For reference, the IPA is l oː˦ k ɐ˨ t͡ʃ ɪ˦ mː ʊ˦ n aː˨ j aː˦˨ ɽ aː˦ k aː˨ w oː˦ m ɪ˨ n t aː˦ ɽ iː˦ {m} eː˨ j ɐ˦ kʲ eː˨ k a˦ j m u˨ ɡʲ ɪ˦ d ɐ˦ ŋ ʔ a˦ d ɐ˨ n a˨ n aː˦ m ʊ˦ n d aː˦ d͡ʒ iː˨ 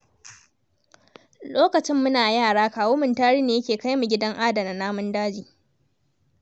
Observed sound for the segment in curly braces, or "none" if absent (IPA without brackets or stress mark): n